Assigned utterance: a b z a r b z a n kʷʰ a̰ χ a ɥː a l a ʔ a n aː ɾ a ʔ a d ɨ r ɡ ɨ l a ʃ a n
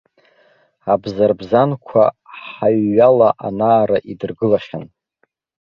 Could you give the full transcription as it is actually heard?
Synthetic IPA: a b z a r b z a n kʷʰ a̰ ħ a ɥː a l a ʔ a n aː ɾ a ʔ i d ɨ r ɡ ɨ l a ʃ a n